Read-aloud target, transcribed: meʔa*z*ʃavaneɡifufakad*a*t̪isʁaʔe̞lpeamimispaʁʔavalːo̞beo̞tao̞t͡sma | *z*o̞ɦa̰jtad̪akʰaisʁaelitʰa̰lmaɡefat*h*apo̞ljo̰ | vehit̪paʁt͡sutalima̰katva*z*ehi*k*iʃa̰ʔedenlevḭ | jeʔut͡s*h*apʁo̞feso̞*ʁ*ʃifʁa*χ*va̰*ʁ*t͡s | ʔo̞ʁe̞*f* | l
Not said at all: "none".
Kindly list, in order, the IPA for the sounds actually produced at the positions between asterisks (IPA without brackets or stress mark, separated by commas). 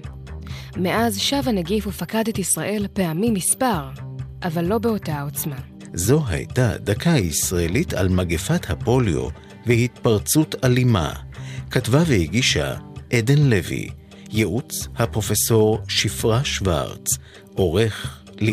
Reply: z, e, z, h, v, ɡ, h, ʁ, ʃ, ʁ, χ